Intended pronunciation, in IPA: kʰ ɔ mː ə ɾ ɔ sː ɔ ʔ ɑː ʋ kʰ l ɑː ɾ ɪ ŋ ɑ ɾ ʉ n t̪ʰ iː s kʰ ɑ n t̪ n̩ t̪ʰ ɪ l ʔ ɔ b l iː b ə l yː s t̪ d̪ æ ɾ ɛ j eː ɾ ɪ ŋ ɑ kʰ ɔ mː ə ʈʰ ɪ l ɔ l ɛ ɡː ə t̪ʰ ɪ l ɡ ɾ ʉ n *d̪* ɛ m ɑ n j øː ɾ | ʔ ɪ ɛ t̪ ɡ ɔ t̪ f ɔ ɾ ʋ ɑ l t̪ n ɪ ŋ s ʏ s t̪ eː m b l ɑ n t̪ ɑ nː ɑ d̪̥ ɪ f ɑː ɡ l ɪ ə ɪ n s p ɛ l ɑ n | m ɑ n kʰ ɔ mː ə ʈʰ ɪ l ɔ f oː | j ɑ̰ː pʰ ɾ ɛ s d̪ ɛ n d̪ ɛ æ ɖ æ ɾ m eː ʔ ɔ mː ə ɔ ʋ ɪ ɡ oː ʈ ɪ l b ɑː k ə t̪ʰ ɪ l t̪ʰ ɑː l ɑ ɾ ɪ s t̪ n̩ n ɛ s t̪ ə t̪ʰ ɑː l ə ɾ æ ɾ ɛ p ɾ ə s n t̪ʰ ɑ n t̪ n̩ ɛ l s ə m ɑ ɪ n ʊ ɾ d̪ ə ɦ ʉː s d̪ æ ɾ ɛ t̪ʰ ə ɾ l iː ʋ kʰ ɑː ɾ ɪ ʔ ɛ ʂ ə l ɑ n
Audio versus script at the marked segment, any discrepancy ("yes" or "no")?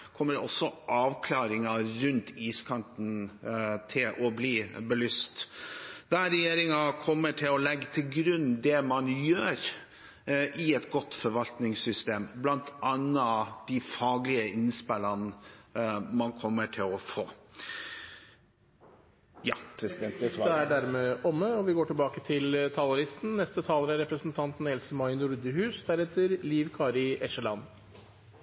no